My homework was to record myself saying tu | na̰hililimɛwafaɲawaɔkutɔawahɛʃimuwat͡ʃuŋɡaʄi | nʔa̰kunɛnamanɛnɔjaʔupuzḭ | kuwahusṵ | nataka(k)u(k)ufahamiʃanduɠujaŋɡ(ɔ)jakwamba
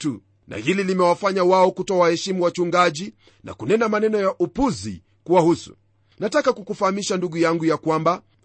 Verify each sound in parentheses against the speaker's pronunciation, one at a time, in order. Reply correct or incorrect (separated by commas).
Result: correct, correct, incorrect